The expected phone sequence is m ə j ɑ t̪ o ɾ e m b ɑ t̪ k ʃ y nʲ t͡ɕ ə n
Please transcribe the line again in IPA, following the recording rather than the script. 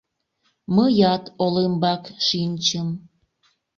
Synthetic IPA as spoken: m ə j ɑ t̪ o l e m b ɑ k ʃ i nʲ t͡ɕ ə m